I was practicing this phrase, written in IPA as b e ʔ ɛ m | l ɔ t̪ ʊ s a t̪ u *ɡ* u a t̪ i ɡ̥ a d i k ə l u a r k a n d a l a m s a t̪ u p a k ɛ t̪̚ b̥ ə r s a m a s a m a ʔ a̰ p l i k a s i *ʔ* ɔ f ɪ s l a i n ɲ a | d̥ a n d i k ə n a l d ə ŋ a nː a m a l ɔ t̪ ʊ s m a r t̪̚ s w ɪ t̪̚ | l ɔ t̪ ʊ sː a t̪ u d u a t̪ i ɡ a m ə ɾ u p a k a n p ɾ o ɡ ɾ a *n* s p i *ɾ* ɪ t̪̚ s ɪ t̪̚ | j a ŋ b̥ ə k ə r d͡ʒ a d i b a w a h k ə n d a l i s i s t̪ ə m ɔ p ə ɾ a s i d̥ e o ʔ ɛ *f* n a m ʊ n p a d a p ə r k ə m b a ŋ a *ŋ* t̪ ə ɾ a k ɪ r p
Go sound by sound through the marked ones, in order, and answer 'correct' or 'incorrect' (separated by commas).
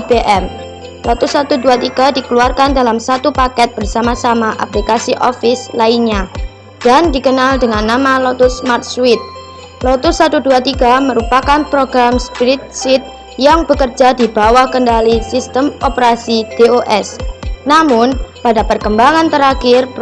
incorrect, correct, incorrect, correct, incorrect, incorrect